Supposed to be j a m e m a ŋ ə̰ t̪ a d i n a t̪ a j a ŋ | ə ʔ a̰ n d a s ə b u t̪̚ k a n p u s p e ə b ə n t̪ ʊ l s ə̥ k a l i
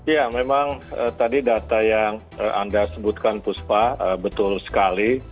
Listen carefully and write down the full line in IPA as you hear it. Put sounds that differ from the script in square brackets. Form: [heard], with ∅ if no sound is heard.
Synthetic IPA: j a m e m a ŋ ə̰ t̪ a d i [d] a t̪ a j a ŋ | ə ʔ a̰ n d a s ə b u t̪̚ k a n p u s p [a] ə b ə [∅] t̪ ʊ l s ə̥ k a l i